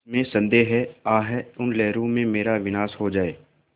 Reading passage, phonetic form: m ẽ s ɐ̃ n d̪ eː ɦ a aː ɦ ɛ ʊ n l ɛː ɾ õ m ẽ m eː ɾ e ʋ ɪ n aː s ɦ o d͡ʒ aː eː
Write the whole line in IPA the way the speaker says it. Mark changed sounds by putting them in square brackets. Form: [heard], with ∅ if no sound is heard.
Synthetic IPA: m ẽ s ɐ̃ n d̪ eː ɦ [ɛ] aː ɦ ɛ ʊ n l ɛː ɾ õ m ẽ m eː ɾ [a] ʋ ɪ n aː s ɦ o d͡ʒ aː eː

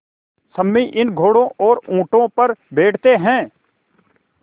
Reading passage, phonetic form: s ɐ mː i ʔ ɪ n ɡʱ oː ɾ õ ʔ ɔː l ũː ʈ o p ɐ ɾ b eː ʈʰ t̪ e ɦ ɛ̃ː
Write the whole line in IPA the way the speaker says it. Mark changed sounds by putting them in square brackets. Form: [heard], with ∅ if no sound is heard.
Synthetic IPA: s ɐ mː i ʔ ɪ n ɡʱ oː [ɽ] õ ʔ ɔː [ɾ] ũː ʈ [õ] p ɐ ɾ b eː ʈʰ t̪ e ɦ ɛ̃ː

